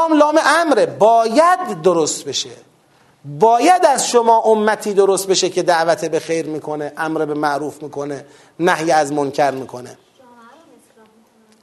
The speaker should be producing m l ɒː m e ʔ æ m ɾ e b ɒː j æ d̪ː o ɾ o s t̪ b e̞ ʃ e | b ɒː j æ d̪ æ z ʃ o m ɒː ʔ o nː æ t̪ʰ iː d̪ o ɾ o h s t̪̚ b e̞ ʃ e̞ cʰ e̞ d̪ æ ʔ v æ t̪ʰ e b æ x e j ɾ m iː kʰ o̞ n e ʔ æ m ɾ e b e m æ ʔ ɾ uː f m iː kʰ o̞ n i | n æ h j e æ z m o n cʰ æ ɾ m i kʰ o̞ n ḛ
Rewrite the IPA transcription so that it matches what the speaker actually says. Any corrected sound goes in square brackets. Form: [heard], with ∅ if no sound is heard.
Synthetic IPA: m l ɒː m e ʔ æ m ɾ e b ɒː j æ d̪ː o ɾ o s t̪ b e̞ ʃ e | b ɒː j æ d̪ æ z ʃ o m ɒː ʔ o [mː] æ t̪ʰ iː d̪ o ɾ o [∅] s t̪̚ b e̞ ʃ e̞ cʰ e̞ d̪ æ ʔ v æ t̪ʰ e b [e] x e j ɾ m iː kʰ o̞ n e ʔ æ m ɾ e b e m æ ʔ ɾ uː f m iː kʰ o̞ n [e] | n æ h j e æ z m o n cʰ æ ɾ m [iː] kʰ o̞ n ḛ